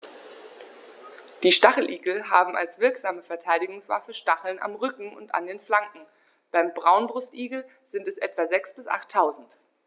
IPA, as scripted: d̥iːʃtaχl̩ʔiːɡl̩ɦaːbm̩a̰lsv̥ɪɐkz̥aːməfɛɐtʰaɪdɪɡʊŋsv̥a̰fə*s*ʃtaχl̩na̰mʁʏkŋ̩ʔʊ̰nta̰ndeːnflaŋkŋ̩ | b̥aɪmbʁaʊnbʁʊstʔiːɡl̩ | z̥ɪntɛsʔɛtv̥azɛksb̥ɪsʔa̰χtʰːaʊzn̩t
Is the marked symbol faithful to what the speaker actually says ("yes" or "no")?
no